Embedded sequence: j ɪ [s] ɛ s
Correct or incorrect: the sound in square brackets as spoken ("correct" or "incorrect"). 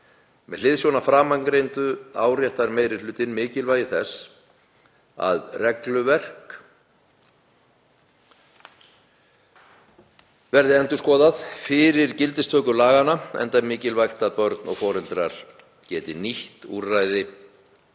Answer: incorrect